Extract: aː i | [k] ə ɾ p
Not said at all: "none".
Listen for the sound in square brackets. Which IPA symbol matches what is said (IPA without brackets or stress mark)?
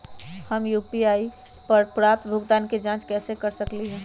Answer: p